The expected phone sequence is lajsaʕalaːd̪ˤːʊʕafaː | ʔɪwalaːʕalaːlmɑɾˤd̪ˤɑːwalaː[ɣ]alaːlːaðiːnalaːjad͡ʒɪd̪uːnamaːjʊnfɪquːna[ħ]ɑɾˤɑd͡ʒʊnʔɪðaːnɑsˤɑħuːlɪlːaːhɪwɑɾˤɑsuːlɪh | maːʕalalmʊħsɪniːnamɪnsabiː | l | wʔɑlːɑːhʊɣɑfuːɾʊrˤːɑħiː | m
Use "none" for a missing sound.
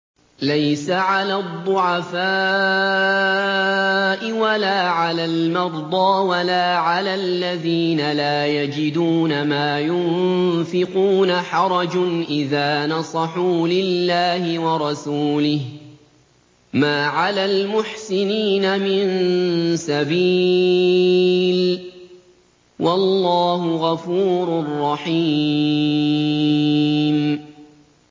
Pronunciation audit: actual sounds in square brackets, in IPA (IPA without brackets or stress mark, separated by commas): ʕ, ħ